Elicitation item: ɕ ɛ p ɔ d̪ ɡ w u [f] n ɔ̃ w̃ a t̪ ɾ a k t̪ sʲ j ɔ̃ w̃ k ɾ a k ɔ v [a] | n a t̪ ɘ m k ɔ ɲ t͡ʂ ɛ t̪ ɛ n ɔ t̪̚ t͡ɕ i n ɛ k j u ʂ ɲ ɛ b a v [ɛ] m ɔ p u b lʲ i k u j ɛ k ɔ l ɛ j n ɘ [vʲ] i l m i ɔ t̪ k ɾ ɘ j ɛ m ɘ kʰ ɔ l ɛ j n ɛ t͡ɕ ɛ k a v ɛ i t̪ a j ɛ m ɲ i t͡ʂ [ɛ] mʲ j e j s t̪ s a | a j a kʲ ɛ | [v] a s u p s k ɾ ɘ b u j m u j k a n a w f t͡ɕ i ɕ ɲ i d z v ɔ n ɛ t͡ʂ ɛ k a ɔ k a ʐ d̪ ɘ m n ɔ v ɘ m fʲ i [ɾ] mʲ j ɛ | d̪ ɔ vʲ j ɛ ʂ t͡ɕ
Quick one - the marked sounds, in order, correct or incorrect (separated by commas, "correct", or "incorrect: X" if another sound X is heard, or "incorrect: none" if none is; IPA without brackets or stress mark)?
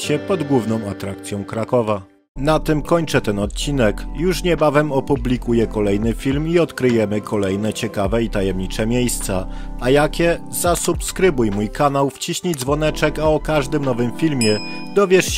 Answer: incorrect: v, correct, correct, incorrect: fʲ, correct, incorrect: z, incorrect: l